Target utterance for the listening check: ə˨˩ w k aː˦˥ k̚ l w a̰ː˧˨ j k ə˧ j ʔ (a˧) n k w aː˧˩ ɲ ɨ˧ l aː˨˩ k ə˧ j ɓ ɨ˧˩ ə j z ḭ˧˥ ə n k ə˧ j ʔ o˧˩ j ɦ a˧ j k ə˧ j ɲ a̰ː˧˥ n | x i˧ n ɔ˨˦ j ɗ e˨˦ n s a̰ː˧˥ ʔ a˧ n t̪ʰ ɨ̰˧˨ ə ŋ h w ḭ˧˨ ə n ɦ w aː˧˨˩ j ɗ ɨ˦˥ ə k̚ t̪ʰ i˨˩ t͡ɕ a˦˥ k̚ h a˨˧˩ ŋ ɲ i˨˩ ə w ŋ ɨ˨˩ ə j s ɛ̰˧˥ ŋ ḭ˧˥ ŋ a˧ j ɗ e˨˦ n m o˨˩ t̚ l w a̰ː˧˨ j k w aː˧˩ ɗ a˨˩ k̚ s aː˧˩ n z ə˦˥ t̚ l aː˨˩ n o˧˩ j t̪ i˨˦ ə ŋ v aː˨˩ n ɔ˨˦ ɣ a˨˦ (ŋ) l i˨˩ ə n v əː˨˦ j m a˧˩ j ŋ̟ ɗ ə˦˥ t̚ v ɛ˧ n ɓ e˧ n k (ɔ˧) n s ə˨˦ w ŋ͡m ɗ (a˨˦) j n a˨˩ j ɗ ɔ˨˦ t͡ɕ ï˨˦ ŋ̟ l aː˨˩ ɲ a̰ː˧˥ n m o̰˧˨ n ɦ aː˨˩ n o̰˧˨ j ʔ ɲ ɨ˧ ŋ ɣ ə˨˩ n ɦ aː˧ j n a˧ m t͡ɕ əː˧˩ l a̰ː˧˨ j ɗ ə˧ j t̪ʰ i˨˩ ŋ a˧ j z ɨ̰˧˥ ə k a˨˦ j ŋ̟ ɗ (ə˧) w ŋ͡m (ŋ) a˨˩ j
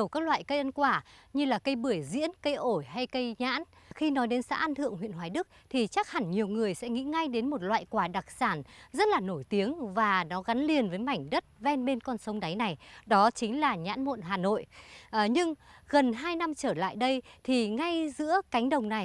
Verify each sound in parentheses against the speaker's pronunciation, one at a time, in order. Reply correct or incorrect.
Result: incorrect: ə˧, incorrect: n, correct, correct, incorrect: ə˨˩, incorrect: n

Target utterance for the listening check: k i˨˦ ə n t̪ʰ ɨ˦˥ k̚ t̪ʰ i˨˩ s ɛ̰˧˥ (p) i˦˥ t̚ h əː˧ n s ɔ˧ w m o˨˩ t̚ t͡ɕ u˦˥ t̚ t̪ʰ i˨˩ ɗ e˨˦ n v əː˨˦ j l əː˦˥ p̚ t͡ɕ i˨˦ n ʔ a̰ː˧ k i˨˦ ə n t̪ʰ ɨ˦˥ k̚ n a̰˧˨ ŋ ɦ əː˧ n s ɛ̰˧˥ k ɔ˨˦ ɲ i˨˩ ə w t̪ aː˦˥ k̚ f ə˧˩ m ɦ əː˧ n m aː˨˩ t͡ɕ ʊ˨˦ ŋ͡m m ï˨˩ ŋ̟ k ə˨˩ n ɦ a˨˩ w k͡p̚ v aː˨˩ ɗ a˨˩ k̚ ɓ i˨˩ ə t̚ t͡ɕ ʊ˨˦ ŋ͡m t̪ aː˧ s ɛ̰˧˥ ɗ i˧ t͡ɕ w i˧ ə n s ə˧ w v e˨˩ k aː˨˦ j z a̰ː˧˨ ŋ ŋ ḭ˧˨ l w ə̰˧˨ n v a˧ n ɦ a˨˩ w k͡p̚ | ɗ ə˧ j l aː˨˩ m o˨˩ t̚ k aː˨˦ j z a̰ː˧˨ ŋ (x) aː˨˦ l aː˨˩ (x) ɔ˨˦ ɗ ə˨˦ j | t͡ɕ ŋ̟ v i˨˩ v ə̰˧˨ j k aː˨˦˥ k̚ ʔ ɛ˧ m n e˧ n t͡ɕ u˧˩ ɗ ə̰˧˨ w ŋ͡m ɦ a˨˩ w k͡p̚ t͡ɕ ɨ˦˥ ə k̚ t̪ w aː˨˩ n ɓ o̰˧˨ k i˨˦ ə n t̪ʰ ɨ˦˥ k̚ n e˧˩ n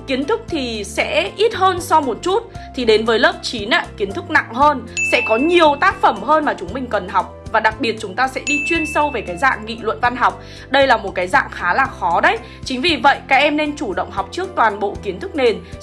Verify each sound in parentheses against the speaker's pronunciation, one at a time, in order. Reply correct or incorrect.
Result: incorrect: ʔ, correct, correct

